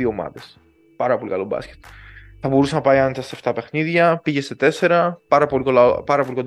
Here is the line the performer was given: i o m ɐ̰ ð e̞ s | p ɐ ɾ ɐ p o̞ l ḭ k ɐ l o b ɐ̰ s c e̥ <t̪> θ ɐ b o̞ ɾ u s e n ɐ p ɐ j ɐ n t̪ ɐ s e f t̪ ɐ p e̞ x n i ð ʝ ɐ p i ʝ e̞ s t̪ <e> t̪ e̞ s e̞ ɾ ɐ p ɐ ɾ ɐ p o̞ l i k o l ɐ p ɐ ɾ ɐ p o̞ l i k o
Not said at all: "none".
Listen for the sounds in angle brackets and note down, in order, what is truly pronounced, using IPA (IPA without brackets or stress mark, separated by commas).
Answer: t̪, e